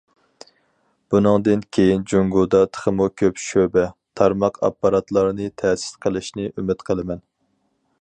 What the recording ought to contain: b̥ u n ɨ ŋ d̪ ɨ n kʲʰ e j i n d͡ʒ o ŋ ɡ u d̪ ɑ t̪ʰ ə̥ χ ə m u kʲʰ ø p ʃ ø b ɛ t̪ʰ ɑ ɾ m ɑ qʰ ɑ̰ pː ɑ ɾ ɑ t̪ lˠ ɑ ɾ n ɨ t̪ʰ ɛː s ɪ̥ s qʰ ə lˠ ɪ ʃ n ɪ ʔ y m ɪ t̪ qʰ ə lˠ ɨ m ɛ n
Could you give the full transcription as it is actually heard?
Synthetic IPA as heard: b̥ u n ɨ ŋ d̪ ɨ n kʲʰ e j i n d͡ʒ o ŋ ɡ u d̪ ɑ t̪ʰ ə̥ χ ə m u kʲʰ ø p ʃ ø b ɛ t̪ʰ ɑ ɾ m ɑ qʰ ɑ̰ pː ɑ ɾ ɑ t̪ lˠ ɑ ɾ n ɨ t̪ʰ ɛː s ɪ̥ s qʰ ə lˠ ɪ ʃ n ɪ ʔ y m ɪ t̪ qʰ ə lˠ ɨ m ɛ n